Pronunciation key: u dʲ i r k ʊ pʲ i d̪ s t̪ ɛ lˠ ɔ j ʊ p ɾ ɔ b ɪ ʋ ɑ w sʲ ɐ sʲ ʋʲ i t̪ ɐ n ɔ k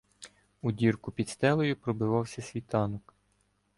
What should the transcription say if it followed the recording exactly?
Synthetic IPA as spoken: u dʲ i r k ʊ pʲ i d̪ s t̪ ɛ lˠ ɔ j ʊ p ɾ ɔ b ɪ ʋ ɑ w sʲ ɐ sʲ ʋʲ i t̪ ɑ n ɔ k